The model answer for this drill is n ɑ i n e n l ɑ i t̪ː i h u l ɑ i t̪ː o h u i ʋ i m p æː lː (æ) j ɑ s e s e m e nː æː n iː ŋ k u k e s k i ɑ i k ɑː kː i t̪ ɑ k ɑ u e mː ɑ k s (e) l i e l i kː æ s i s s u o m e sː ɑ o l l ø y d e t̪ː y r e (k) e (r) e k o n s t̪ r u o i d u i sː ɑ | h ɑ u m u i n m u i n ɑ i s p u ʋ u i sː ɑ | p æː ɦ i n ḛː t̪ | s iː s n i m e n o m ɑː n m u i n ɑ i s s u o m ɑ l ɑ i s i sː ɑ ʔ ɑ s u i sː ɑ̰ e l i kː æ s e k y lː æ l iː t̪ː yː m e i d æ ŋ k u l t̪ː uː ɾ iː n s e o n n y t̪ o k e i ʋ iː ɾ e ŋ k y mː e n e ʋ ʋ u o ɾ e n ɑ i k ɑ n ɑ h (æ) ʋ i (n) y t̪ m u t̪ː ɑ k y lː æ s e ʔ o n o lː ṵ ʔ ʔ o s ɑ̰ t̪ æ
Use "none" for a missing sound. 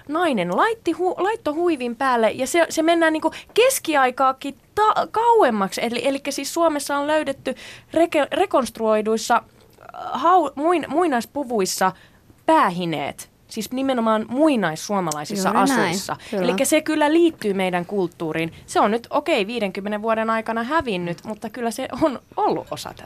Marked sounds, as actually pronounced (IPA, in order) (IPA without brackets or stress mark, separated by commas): e, e, k, r, æ, nː